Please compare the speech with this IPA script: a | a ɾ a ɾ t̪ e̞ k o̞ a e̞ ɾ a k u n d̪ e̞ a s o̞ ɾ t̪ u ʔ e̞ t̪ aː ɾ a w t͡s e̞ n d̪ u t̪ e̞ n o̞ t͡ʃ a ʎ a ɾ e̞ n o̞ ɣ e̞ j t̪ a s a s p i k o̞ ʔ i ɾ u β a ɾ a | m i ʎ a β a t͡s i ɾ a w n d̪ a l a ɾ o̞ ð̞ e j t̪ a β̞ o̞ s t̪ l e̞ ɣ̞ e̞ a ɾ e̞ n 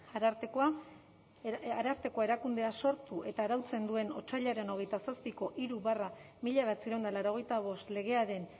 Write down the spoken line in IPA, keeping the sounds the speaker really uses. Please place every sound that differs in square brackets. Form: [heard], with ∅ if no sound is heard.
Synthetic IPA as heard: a | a ɾ a ɾ t̪ e̞ k o̞ a e̞ ɾ a k u n d̪ e̞ a s o̞ ɾ t̪ u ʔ e̞ t̪ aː ɾ a w t͡s e̞ n d̪ u [∅] e̞ n o̞ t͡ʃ a ʎ a ɾ e̞ n o̞ ɣ e̞ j t̪ a s a s p i k o̞ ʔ i ɾ u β a [r] a | m i ʎ a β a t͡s i ɾ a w n d̪ a l a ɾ o̞ [ɣ̞] e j t̪ a β̞ o̞ s t̪ l e̞ ɣ̞ e̞ a ɾ e̞ n